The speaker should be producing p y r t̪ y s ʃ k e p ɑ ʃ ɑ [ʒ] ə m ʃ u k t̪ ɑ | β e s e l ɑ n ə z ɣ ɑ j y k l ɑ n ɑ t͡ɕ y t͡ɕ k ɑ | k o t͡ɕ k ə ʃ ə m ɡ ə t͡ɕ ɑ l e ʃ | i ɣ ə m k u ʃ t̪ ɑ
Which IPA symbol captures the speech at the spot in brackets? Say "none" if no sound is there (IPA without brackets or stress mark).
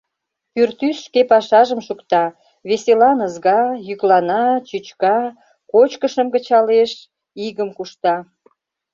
ʒ